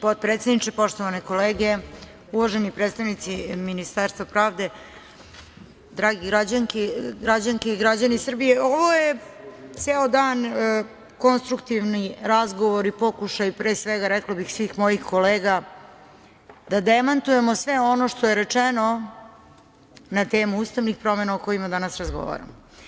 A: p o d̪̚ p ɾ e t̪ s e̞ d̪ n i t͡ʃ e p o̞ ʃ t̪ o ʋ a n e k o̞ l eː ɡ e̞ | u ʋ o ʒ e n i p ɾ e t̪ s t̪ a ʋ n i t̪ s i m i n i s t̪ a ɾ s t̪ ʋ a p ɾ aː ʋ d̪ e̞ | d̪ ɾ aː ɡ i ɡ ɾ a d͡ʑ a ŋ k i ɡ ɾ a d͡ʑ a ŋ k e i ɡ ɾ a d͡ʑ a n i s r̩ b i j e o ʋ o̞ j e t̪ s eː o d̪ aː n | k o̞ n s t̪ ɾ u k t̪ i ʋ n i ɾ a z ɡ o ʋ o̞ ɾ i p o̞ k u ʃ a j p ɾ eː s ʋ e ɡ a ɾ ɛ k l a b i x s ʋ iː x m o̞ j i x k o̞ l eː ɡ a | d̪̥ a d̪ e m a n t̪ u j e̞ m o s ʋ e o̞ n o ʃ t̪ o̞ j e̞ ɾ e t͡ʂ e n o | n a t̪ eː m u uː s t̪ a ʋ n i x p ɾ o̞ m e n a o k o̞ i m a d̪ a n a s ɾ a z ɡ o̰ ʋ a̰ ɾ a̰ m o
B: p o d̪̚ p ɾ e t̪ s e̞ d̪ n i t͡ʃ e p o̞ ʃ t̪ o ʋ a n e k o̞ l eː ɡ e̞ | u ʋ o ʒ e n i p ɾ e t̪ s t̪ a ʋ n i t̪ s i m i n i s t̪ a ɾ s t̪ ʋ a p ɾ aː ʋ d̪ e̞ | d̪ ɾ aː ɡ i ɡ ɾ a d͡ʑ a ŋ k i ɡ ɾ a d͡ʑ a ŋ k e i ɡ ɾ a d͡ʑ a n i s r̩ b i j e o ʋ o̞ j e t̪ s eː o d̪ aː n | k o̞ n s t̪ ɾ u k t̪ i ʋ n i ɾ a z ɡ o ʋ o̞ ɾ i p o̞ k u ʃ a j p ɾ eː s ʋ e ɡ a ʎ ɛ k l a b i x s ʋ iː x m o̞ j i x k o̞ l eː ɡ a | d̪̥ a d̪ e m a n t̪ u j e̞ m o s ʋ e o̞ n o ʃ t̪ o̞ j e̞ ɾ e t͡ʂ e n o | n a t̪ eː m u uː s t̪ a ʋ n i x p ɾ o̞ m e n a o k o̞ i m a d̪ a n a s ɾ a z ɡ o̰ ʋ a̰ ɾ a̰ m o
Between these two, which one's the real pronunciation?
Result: A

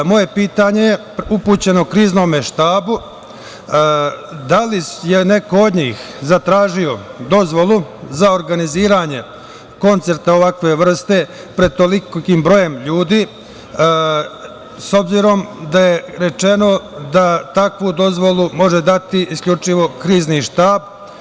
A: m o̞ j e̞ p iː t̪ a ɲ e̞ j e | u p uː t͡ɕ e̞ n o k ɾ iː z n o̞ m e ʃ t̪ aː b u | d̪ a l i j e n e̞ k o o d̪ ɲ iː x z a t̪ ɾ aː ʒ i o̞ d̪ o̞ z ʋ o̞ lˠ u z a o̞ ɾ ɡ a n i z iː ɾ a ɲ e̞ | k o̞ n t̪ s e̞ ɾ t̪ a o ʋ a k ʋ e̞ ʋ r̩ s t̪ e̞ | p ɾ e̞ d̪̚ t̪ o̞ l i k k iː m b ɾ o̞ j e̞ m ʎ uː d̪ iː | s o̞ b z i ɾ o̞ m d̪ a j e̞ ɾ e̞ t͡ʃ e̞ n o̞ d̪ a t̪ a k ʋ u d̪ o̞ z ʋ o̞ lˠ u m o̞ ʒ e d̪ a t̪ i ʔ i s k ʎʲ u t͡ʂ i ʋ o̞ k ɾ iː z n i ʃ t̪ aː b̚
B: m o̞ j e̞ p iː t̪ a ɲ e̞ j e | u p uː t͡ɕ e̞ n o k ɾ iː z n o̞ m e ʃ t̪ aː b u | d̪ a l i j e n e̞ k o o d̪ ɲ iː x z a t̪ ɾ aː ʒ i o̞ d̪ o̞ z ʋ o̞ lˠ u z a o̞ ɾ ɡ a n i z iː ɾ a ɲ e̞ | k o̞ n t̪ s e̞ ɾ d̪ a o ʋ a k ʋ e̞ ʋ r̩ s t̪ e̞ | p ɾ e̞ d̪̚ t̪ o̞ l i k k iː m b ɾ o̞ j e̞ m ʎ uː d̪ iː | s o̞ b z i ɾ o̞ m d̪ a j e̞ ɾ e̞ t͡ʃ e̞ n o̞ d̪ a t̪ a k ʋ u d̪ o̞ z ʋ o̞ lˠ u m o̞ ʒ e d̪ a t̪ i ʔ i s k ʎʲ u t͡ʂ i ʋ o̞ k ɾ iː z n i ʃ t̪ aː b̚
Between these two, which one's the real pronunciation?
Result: A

